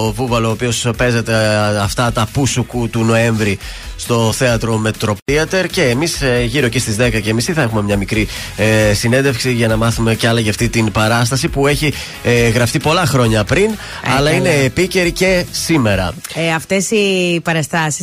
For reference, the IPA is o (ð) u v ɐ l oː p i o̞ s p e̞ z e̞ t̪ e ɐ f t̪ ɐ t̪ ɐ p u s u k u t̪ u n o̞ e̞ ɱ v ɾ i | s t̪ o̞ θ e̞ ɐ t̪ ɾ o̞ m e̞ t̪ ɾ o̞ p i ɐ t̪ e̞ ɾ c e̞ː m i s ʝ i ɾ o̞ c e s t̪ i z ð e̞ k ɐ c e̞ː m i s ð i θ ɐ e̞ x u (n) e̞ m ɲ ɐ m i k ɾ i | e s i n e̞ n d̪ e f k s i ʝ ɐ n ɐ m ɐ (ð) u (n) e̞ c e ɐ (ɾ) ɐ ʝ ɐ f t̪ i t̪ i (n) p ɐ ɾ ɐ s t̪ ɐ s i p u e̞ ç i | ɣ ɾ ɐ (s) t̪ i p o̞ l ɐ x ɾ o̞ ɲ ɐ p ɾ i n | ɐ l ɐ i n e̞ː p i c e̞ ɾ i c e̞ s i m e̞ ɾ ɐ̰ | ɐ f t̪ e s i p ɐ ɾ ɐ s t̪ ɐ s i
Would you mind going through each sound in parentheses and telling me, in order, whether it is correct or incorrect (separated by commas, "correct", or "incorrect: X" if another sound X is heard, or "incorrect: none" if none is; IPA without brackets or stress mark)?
incorrect: v, incorrect: m, incorrect: θ, incorrect: m, incorrect: l, correct, incorrect: f